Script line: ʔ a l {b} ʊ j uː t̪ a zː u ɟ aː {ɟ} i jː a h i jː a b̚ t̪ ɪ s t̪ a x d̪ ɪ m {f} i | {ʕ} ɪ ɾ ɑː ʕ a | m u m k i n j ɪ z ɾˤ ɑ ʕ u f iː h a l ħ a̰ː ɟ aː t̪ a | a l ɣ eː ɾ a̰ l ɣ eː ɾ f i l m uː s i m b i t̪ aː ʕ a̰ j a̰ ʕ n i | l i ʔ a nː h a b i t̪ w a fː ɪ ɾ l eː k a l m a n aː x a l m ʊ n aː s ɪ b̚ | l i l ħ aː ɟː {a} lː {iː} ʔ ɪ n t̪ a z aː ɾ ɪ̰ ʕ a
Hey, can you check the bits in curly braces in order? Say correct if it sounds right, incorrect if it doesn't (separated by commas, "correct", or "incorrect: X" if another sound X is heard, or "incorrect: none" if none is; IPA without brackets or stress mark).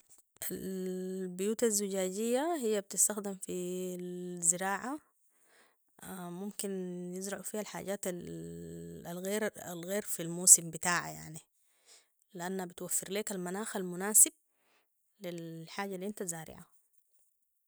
correct, correct, correct, incorrect: z, correct, incorrect: i